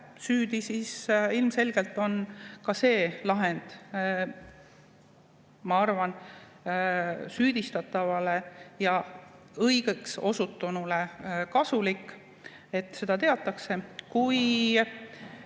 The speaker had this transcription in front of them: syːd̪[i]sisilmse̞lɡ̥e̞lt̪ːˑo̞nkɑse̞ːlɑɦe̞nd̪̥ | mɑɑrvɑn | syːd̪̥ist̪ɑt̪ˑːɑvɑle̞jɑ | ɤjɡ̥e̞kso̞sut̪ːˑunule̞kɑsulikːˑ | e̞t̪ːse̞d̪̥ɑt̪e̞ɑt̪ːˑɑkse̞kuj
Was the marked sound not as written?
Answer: no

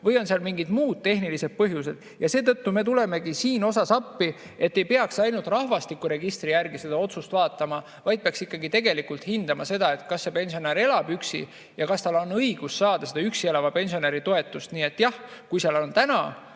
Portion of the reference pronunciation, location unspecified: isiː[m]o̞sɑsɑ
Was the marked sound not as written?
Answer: yes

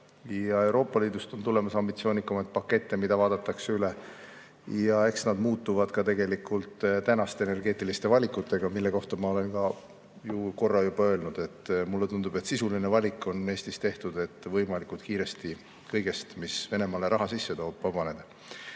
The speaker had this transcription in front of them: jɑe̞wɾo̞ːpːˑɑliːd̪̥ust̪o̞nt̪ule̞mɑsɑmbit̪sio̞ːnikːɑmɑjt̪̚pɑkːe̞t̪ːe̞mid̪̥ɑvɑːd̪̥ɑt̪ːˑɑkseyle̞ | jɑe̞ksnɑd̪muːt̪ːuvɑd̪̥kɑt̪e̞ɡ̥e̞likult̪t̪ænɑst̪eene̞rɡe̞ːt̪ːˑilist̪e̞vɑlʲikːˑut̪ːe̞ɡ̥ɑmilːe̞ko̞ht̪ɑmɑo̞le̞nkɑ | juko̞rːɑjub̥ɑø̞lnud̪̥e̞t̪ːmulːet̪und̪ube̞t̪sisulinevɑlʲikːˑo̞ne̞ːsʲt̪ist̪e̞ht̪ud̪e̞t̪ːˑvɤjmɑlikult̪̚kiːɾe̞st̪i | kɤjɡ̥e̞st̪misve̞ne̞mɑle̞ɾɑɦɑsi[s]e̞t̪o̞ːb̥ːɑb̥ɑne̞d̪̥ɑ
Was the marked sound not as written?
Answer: yes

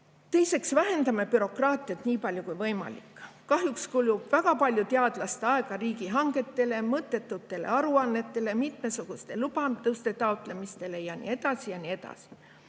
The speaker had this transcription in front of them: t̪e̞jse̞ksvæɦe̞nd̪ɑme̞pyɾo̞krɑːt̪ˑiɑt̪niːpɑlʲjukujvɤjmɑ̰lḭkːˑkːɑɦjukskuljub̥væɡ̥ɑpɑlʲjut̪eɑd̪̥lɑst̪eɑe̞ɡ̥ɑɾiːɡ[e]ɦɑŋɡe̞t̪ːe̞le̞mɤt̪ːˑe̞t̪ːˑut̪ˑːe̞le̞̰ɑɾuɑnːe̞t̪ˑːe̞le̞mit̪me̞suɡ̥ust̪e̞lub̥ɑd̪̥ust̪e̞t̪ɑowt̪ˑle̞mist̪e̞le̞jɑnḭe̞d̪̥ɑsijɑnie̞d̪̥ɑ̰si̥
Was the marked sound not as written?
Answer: yes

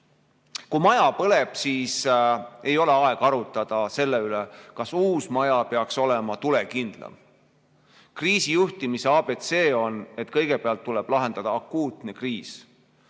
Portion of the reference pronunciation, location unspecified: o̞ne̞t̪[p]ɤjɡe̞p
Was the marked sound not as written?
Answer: yes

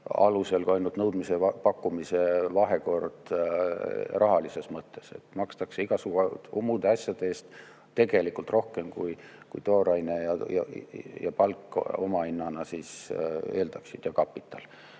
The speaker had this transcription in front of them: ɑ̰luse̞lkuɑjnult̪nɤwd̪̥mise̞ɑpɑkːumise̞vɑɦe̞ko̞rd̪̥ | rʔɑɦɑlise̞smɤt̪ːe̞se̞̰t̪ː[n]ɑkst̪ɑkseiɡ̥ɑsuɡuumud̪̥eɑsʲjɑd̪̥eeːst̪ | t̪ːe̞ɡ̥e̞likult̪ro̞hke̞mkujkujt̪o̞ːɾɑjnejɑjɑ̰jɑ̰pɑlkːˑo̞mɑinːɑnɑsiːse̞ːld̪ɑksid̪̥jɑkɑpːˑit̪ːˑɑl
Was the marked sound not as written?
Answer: yes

